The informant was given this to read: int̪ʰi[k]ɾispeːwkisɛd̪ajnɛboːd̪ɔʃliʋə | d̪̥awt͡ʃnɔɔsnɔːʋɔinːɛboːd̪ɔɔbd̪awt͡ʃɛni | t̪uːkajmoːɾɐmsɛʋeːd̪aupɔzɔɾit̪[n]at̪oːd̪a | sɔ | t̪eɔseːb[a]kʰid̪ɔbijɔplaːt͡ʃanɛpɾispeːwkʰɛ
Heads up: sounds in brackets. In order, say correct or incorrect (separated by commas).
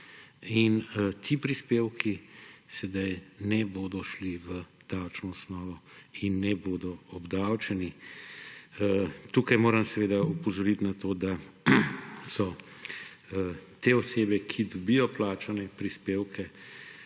incorrect, correct, incorrect